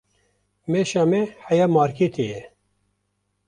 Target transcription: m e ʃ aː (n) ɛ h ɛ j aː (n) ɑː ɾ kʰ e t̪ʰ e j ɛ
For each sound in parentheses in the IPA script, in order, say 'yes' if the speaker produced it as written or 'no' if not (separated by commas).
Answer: no, no